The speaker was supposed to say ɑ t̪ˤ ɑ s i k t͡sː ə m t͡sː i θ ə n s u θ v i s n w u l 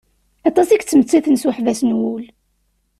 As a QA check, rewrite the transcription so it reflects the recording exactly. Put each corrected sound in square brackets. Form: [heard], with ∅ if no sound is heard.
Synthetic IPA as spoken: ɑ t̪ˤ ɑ s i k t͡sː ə m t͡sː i θ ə n s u [ħ] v [æ] s n w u l